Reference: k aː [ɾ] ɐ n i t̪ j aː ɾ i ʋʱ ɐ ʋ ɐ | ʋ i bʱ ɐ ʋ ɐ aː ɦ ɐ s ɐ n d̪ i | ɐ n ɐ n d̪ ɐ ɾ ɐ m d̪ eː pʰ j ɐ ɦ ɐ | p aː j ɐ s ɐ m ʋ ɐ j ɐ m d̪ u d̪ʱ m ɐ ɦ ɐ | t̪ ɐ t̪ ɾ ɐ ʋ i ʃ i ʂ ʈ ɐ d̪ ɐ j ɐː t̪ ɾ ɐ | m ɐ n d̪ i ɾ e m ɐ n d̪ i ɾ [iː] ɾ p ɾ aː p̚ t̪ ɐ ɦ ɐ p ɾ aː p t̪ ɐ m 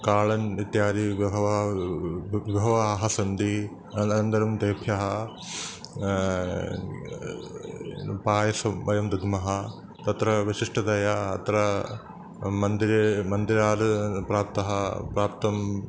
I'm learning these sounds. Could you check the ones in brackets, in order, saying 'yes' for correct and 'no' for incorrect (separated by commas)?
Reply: no, no